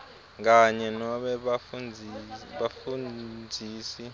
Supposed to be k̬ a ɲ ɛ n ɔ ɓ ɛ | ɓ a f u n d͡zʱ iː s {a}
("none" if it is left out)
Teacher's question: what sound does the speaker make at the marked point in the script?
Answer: i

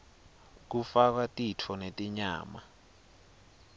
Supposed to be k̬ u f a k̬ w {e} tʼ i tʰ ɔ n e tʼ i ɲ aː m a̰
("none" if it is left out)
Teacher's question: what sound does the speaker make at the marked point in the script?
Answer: a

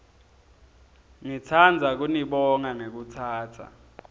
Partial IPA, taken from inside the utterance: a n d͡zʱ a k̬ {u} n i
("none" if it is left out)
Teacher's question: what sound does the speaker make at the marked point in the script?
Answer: u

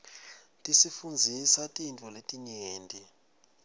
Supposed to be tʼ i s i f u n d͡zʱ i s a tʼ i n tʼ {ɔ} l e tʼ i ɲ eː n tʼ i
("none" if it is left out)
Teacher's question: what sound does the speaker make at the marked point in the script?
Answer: ɔ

